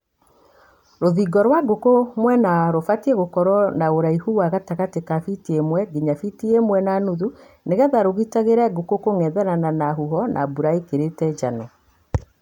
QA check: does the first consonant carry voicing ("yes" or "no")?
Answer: yes